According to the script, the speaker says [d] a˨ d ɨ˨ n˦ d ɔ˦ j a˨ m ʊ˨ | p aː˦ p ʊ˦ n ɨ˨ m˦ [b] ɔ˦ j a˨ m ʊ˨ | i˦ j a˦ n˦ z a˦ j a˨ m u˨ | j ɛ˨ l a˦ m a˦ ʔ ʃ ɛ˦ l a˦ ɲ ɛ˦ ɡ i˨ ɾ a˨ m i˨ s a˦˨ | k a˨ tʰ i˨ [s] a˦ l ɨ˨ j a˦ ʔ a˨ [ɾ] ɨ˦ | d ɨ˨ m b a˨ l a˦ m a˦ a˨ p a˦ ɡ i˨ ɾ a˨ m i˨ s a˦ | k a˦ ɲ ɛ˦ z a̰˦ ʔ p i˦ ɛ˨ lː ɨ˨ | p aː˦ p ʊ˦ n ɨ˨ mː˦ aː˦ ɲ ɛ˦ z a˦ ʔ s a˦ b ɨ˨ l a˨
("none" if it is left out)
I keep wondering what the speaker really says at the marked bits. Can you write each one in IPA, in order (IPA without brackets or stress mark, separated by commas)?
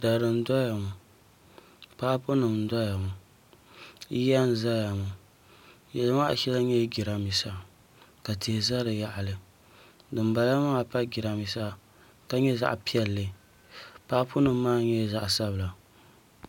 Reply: d, d, z, l